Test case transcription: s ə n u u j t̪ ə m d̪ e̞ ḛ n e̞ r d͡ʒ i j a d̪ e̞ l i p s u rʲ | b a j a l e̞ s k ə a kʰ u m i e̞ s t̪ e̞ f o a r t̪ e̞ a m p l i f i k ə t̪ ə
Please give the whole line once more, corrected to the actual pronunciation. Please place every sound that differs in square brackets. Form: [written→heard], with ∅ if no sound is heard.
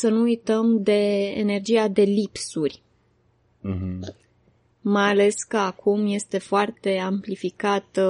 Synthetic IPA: s ə n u u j t̪ ə m d̪ e̞ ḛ n e̞ r d͡ʒ i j a d̪ e̞ l i p s u rʲ | [b→m] a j a l e̞ s k ə a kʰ u m [i→j] e̞ s t̪ e̞ f o a r t̪ e̞ a m p l i f i k [ə→a] t̪ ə